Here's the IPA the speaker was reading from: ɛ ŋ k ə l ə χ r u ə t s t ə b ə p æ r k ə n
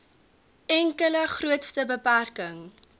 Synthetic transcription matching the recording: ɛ ŋ k ə l ə χ r u ə t s t ə b ə p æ r k ə ŋ